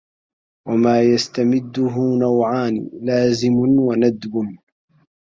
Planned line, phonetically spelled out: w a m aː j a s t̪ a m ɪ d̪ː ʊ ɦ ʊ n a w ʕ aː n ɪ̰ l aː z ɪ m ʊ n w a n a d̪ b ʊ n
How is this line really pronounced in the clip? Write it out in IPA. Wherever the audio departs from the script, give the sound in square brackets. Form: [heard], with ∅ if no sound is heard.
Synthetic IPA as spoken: w a m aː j a s t̪ a m ɪ d̪ː ʊ ɦ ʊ n a w ʕ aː n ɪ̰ l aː z ɪ m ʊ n w a n a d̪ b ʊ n

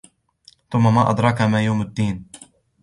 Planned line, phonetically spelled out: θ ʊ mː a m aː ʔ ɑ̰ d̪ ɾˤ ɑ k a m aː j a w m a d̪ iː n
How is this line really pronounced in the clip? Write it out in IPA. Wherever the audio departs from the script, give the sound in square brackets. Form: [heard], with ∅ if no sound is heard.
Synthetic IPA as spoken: θ ʊ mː a m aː ʔ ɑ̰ d̪ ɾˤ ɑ k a m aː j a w m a [d̪ː] iː n

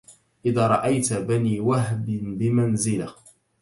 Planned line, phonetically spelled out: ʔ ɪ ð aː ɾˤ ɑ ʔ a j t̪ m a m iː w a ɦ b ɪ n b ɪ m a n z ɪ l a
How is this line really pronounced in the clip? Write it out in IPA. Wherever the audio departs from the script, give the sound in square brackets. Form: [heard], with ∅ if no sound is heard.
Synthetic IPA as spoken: ʔ ɪ ð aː ɾˤ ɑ ʔ a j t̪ [b] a [n] iː w a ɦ b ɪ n b ɪ m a n z ɪ l a

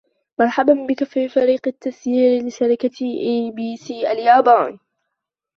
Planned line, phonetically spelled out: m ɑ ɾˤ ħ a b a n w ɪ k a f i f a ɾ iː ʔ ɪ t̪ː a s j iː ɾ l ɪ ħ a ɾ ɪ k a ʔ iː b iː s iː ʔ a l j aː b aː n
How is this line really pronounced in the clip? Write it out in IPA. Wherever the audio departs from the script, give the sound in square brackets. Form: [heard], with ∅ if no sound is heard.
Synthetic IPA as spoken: m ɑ ɾˤ ħ a b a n [b] ɪ k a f i f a ɾ iː [q] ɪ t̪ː a s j iː ɾ l ɪ [ʃ] a ɾ ɪ k a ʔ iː b iː s iː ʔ a l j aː b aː n

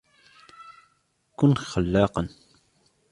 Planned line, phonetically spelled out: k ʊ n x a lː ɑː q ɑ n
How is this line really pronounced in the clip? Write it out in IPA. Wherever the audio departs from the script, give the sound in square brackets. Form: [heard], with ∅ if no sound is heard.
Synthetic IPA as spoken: k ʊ n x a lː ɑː q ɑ n

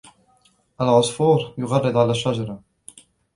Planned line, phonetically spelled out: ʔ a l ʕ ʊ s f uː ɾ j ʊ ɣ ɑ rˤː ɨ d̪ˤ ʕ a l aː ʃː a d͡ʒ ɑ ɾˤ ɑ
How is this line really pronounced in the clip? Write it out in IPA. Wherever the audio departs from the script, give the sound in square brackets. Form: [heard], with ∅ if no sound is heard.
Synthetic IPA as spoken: ʔ a l ʕ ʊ s f uː ɾ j ʊ ɣ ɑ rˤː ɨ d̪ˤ ʕ a l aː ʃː a d͡ʒ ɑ ɾˤ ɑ

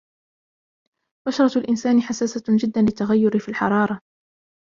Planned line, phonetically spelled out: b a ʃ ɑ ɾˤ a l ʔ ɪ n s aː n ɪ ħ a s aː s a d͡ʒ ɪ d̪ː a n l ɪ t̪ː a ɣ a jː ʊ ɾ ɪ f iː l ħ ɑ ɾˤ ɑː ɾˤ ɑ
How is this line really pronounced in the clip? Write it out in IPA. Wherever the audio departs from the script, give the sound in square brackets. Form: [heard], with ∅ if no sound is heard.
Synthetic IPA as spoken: b a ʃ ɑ ɾˤ [ɑ] l ʔ ɪ n s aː n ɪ ħ a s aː s a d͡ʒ ɪ d̪ː a n l ɪ t̪ː a ɣ a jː ʊ ɾ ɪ f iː l ħ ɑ ɾˤ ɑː ɾˤ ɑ

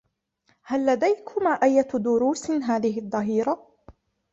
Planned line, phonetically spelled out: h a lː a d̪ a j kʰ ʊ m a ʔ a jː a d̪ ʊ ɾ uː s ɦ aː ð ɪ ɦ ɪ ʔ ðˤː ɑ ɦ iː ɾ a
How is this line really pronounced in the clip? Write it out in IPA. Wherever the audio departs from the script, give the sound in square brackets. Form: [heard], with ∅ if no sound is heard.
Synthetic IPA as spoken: h a lː a d̪ a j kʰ ʊ m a ʔ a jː a d̪ ʊ ɾ uː s ɦ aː ð ɪ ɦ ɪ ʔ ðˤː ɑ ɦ iː ɾ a

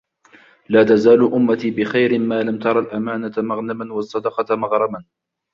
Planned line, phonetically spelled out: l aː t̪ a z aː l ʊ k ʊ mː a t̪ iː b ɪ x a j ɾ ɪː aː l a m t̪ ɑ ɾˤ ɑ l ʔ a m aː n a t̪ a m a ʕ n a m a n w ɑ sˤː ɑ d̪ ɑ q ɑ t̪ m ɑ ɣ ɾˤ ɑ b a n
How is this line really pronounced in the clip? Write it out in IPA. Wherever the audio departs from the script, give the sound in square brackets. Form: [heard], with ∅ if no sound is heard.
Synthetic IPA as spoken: l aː t̪ a z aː l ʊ [ʔ] ʊ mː a t̪ iː b ɪ x a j ɾ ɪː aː l a m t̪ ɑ ɾˤ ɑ l ʔ a m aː n a t̪ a m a [ɣ] n a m a n w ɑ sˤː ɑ d̪ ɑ q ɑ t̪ m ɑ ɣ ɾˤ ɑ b a n

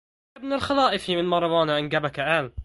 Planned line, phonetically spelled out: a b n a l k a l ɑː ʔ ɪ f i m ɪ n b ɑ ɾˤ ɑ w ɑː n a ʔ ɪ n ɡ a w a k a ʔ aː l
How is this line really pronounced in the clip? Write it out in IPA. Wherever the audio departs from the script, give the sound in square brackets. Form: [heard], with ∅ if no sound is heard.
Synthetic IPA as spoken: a b n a l [x] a l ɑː ʔ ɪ f i m ɪ n [m] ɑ ɾˤ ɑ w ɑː n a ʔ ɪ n ɡ a [b] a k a ʔ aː l

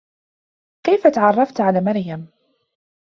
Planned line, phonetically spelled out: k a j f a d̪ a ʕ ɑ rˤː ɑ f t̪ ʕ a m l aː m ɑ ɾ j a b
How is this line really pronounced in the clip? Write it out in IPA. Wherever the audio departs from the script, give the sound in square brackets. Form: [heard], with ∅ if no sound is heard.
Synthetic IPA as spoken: k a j f a [t̪] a ʕ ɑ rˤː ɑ f t̪ ʕ a [∅] l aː m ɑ ɾ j a [m]

